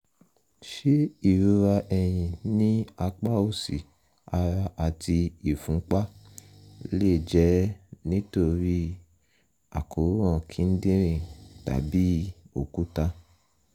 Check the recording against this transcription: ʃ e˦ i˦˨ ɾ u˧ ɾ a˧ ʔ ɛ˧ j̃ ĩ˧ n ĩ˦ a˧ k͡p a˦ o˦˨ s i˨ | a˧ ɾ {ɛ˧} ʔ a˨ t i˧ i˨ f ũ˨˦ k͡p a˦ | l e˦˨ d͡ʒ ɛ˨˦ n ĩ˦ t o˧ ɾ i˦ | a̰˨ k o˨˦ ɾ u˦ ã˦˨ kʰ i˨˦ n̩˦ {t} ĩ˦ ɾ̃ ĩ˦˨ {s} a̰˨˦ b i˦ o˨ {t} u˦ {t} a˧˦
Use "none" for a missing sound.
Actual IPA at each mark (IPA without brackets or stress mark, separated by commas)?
a˧, d, t, k, t